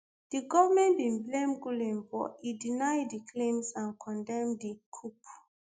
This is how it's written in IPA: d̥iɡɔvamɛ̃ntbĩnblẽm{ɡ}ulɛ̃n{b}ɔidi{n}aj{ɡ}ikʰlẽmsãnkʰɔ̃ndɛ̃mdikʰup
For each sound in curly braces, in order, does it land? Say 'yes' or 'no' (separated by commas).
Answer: yes, yes, yes, no